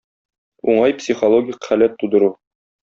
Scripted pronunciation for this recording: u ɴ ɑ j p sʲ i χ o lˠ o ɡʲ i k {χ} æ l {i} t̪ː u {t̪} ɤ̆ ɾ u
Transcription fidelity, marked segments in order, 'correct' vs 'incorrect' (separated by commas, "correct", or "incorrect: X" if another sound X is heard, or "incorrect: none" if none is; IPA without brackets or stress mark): correct, incorrect: æ, incorrect: d̪